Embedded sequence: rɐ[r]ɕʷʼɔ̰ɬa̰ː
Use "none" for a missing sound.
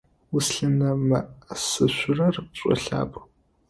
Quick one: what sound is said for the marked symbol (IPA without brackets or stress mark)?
r